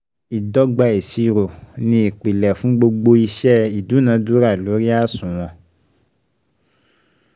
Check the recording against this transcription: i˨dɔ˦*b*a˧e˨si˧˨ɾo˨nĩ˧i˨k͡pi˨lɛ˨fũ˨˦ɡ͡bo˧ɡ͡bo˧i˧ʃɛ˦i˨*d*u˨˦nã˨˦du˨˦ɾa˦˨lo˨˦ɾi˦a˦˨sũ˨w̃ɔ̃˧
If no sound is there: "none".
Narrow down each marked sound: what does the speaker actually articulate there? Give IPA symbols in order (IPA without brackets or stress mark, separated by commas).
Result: ɡ͡b, d